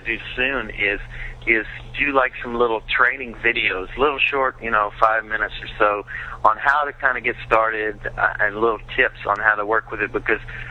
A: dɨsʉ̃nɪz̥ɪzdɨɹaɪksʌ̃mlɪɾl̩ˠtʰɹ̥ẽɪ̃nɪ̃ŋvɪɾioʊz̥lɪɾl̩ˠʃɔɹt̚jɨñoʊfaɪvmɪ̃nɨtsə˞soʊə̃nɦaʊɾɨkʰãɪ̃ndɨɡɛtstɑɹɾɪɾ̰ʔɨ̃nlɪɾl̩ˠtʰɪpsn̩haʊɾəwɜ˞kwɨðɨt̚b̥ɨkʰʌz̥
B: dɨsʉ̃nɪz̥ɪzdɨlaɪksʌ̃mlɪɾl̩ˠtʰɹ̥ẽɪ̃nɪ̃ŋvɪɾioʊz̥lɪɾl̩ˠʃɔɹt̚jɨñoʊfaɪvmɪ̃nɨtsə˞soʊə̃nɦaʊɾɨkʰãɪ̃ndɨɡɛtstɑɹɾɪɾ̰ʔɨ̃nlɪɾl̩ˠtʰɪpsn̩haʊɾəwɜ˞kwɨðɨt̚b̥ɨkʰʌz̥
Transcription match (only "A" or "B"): B